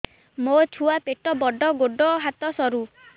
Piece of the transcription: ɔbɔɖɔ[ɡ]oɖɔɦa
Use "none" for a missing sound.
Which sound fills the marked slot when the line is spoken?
ɡ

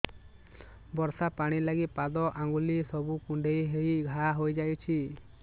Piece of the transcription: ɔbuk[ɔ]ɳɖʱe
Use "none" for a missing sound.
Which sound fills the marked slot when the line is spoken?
u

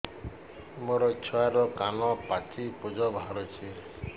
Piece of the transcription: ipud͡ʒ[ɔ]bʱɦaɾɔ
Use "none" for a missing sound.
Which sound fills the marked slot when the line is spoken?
ɔ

